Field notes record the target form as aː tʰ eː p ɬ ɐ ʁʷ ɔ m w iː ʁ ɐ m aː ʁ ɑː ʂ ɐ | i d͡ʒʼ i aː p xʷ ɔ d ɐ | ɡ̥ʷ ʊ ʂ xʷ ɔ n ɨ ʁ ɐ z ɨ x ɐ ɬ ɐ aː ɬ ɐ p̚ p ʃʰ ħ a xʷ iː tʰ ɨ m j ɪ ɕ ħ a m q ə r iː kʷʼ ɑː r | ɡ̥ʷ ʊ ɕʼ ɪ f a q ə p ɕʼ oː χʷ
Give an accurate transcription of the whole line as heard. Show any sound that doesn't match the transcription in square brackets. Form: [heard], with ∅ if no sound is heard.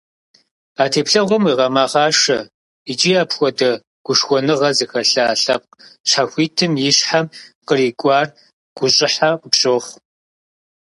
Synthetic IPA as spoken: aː tʰ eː p ɬ ɐ ʁʷ ɔ m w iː ʁ ɐ m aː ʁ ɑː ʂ ɐ | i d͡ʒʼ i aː p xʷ ɔ d ɐ | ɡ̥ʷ ʊ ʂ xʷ ɔ n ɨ ʁ ɐ z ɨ x ɐ ɬ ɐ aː ɬ ɐ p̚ [q] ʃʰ ħ a xʷ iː tʰ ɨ m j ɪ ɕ ħ a m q ə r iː kʷʼ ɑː r | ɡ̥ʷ ʊ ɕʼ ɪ [ħ] a q ə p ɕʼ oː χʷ